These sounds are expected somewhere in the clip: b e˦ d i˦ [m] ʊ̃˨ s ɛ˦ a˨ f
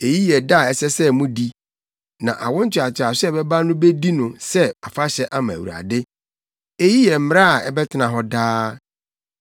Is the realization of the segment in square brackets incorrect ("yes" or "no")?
yes